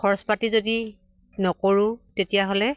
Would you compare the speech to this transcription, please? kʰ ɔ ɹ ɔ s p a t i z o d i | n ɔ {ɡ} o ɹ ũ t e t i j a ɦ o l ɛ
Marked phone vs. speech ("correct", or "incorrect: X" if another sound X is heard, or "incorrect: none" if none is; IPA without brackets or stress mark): incorrect: k